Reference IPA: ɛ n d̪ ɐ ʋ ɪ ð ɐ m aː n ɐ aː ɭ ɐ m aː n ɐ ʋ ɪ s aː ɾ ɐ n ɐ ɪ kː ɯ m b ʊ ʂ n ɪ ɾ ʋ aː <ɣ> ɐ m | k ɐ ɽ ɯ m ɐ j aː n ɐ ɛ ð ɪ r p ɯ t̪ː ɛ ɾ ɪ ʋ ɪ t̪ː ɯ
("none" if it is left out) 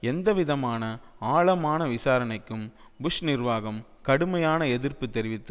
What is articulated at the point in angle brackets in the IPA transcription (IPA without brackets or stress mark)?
ɣ